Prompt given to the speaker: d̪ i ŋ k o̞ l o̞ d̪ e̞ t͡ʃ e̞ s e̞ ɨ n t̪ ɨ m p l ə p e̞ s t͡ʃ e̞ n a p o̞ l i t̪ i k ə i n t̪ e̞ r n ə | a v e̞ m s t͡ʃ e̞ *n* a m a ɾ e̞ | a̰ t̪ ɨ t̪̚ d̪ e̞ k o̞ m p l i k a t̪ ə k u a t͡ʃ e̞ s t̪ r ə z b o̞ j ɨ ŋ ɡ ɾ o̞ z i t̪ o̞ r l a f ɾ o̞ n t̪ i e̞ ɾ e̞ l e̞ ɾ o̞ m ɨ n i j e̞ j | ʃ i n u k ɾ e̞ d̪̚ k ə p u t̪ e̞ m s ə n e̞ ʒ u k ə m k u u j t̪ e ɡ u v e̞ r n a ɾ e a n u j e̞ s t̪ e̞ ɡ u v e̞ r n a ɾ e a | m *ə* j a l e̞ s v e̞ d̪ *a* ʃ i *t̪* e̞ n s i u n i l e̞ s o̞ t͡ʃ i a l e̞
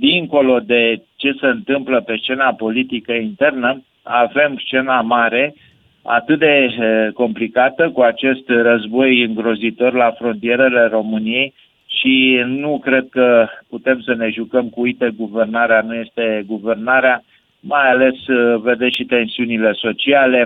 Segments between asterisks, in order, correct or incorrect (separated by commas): correct, incorrect, incorrect, correct